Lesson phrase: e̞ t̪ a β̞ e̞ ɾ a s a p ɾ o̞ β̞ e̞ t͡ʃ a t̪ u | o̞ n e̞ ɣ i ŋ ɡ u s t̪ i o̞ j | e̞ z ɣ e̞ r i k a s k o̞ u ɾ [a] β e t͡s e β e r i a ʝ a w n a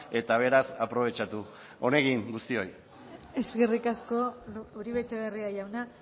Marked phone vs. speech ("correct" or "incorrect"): incorrect